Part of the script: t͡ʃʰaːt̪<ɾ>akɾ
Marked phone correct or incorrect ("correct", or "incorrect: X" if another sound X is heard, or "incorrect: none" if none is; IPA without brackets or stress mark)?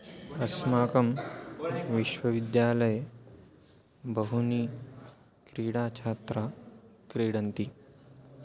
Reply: correct